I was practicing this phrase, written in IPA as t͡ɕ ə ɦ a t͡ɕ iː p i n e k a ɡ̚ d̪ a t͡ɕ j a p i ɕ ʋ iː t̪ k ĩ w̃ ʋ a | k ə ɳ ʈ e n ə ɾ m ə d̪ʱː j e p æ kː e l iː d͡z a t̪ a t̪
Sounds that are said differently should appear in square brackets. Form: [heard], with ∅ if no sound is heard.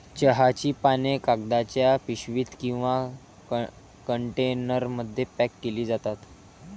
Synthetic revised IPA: t͡ɕ ə ɦ a t͡ɕ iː p [a] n e k a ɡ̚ d̪ a t͡ɕ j a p i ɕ ʋ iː t̪ k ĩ w̃ ʋ a | k ə ɳ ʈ e n ə ɾ m ə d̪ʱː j e p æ kː e l iː d͡z a t̪ a t̪

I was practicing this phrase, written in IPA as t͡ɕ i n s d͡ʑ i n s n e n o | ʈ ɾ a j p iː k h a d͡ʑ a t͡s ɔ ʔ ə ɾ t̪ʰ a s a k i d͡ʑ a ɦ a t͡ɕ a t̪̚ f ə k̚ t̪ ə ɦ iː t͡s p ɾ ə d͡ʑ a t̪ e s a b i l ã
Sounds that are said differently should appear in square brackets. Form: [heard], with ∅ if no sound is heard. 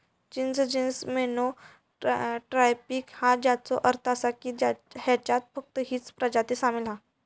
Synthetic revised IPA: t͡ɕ i n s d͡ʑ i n s [m] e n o | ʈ ɾ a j p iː k h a d͡ʑ a t͡s ɔ ʔ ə ɾ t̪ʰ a s a k i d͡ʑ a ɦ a t͡ɕ a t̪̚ f ə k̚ t̪ ə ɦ iː t͡s p ɾ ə d͡ʑ a t̪ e s a [m] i l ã

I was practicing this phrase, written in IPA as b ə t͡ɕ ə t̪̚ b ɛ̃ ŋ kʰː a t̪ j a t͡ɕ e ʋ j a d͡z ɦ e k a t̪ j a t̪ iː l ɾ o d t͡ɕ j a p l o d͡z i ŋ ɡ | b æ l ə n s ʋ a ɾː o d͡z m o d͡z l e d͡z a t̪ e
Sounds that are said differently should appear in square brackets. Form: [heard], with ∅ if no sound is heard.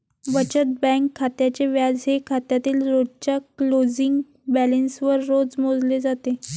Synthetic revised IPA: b ə t͡ɕ ə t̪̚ b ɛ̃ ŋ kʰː a t̪ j a t͡ɕ e ʋ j a d͡z ɦ e [kʰ] a t̪ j a t̪ iː l ɾ o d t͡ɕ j a [k] l o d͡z i ŋ ɡ | b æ l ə n s ʋ [ə] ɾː o d͡z m o d͡z l e d͡z a t̪ e

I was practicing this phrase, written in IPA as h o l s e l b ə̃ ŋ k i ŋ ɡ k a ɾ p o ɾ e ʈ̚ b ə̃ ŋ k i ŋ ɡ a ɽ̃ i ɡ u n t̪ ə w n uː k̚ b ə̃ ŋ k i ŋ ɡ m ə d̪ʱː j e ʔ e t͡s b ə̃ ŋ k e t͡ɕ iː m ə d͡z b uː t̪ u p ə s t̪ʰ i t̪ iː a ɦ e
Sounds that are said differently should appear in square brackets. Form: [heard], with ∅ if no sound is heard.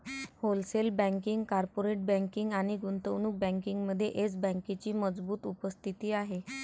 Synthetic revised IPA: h o l s e l b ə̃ ŋ k i ŋ ɡ k a ɾ p o ɾ e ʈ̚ b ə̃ ŋ k i ŋ ɡ a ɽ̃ i ɡ u n t̪ ə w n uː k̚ b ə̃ ŋ k i ŋ ɡ m ə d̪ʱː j e ʔ e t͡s b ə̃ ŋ k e t͡ɕ iː m ə d͡z b uː t̪ u p ə s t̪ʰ i t̪ iː a ɦ e

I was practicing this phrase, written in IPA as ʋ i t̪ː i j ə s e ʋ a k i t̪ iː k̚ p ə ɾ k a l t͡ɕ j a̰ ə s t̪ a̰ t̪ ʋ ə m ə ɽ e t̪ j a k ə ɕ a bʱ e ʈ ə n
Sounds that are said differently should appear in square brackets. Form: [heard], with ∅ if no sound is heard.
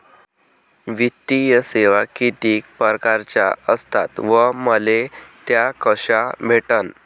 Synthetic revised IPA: ʋ i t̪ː i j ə s e ʋ a k i t̪ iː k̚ p ə ɾ k a [ɾ] t͡ɕ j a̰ ə s t̪ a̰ t̪ ʋ ə m ə [l] e t̪ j a k ə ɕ a bʱ e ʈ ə n

